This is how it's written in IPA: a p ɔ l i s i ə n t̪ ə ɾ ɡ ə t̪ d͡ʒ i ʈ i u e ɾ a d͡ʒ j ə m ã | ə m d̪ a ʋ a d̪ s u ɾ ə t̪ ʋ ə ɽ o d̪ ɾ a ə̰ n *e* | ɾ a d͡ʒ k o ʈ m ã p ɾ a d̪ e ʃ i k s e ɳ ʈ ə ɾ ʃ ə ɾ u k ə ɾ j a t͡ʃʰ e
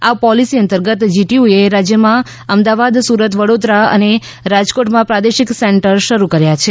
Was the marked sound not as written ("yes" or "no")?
no